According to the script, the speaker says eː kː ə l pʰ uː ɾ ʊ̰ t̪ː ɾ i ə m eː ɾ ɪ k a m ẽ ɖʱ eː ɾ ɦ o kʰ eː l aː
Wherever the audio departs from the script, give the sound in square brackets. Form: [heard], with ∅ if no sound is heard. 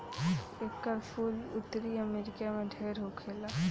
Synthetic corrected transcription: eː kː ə [ɾ] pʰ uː [l] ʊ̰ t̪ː ɾ i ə m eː ɾ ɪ k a m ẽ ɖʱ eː ɾ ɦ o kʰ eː l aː